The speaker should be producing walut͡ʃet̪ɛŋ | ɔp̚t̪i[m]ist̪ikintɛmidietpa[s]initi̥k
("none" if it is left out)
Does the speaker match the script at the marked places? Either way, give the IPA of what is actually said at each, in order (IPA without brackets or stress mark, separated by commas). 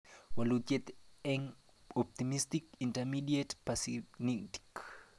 m, s